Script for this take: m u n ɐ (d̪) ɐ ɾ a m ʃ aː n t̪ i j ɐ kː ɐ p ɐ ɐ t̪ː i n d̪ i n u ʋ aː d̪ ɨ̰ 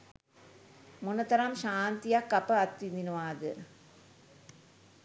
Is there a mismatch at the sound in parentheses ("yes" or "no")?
yes